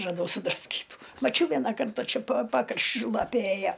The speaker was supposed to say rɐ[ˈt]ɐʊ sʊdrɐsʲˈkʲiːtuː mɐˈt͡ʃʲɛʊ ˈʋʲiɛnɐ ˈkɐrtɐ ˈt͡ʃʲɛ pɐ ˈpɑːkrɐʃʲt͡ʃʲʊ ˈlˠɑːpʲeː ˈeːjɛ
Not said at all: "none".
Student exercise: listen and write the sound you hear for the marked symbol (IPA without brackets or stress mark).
d